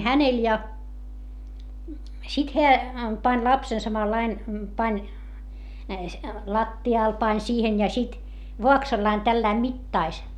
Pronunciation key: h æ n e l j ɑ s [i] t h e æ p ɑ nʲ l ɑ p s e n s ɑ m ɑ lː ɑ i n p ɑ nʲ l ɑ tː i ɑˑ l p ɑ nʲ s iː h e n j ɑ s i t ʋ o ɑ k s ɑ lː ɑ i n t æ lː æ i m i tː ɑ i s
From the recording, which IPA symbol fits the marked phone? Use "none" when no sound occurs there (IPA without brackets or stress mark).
i